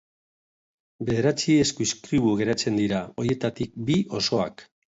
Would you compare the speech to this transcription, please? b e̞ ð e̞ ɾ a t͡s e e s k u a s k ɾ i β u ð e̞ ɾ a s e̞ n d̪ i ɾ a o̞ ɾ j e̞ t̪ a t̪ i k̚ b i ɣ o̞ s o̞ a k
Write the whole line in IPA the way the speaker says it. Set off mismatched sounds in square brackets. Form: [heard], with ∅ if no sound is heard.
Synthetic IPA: b e̞ ð e̞ ɾ a t͡s [i] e s k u [i] s k ɾ i β u [ɣ] e̞ ɾ a [t͡s] e̞ n d̪ i ɾ a o̞ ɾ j e̞ t̪ a t̪ i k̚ b i [∅] o̞ s o̞ a k